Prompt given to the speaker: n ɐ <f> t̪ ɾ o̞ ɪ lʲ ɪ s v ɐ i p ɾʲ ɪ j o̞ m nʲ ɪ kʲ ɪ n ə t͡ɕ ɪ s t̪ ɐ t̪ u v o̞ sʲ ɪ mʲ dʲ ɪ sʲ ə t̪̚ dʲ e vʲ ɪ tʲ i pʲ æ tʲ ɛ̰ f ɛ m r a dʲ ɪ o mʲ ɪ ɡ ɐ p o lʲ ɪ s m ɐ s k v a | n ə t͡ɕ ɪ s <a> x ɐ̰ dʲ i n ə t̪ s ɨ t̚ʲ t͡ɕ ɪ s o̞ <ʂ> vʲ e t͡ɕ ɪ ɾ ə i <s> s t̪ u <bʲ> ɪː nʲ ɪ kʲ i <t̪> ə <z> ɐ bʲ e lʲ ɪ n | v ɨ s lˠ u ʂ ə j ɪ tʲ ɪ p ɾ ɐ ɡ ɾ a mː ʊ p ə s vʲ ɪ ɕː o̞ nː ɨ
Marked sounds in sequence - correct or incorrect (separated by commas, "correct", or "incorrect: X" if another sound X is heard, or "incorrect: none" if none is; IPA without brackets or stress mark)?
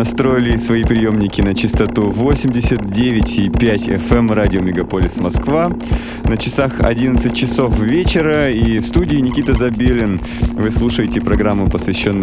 incorrect: s, correct, incorrect: f, incorrect: f, incorrect: dʲ, correct, correct